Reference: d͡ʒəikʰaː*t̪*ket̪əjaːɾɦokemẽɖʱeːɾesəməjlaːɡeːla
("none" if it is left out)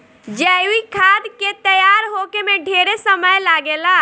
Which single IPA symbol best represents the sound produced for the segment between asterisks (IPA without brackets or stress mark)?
d̪